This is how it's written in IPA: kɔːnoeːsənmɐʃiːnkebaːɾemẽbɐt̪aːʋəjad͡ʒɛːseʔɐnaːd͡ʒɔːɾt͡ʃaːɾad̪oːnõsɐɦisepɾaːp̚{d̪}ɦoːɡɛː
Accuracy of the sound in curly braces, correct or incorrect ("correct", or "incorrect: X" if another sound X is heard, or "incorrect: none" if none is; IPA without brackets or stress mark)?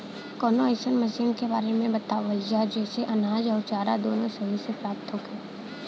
incorrect: t̪